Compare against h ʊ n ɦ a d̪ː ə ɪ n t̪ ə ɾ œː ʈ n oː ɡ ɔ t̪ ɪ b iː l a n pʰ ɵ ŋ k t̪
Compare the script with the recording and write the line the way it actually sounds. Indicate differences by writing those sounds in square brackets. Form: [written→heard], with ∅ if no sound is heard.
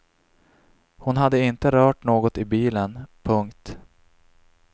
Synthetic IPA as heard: h ʊ n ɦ a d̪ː ə ɪ n t̪ ə ɾ œː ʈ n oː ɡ ɔ t̪ ɪ b iː l [a→ə] n pʰ ɵ ŋ k t̪